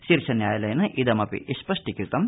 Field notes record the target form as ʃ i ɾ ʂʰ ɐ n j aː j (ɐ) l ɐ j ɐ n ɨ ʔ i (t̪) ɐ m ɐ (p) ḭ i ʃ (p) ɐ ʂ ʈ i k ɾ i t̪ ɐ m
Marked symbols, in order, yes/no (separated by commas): yes, no, yes, yes